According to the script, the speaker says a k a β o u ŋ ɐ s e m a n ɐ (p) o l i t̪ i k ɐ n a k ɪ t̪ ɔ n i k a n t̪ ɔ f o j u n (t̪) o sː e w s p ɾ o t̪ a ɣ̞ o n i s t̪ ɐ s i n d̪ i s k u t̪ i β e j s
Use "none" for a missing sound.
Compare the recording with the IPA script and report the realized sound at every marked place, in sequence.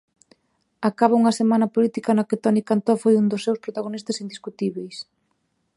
p, d̪

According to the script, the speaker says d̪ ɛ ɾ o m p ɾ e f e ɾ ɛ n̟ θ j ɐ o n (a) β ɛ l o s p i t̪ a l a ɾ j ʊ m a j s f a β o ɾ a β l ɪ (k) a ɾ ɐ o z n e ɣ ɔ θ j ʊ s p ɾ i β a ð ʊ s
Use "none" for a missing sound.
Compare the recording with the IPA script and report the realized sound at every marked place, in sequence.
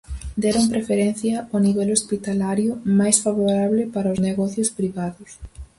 i, p

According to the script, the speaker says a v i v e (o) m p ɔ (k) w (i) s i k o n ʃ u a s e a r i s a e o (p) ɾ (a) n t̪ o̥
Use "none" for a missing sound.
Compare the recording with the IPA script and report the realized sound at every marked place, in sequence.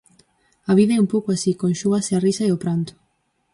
u, k, a, p, a

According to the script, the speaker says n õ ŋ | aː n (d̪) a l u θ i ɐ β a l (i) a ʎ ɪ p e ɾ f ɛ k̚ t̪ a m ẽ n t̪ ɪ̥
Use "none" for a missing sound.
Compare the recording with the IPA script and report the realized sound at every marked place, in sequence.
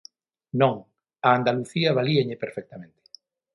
d̪, i

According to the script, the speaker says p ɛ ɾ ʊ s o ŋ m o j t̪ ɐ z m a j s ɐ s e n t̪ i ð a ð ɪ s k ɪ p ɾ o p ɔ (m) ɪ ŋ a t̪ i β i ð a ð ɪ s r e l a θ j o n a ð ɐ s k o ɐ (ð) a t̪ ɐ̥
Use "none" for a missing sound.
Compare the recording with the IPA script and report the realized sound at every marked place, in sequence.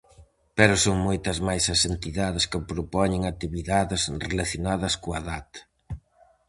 ɲ, ð

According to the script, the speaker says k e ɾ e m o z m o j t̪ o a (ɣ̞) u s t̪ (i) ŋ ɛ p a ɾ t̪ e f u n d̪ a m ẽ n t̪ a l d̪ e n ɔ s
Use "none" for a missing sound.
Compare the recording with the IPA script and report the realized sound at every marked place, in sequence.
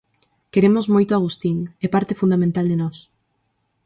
ɣ̞, i

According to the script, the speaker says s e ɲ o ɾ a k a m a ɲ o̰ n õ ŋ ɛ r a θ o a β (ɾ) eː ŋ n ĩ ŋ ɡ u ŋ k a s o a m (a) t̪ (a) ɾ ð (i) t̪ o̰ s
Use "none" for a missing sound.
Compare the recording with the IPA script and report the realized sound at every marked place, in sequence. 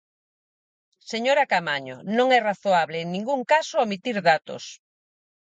l, i, i, a

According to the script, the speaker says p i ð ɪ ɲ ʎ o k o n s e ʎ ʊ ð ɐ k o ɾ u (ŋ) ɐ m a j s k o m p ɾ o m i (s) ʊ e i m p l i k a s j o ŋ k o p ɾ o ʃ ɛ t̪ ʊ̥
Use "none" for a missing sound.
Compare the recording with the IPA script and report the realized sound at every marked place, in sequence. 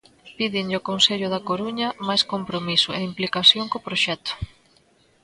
ɲ, s

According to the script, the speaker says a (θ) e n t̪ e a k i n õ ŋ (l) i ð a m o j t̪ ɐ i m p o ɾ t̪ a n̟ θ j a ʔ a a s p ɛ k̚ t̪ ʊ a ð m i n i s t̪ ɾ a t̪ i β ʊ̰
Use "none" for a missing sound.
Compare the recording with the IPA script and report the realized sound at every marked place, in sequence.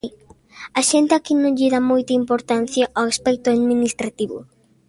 ʃ, ʎ

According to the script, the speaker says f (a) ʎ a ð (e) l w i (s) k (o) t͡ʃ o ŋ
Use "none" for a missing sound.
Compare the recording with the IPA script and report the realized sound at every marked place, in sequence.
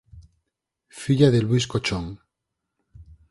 i, e, s, o

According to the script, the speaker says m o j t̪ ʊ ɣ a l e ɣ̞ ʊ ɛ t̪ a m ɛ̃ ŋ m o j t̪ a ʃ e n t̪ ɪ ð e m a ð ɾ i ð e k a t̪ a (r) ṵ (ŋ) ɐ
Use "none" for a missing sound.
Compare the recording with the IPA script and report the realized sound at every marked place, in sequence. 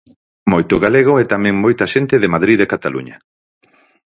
l, ɲ

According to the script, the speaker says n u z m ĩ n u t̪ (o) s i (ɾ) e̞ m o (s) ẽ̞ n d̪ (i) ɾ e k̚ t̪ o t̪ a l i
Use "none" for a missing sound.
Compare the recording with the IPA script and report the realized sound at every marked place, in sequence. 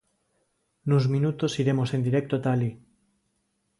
o, ɾ, s, i

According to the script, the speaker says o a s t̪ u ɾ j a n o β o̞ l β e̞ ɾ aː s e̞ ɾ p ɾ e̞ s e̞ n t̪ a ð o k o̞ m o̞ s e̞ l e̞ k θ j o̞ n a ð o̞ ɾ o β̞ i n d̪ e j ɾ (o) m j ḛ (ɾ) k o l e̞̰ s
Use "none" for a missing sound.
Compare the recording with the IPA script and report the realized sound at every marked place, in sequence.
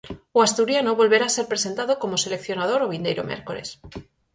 o, ɾ

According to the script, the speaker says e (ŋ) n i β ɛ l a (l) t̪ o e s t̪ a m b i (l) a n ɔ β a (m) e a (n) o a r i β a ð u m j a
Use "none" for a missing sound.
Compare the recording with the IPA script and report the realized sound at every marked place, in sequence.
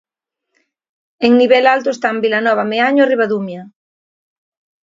ŋ, l, l, m, ɲ

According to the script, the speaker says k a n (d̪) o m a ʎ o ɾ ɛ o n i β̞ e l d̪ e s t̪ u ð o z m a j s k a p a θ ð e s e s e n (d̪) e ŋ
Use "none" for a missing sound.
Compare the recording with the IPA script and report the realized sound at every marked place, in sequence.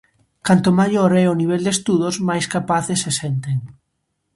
t̪, t̪

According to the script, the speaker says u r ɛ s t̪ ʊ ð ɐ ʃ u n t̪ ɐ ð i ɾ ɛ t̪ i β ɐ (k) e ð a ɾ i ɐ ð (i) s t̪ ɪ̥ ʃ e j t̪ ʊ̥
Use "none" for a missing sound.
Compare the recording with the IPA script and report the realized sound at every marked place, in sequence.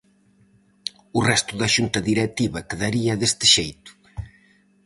k, e

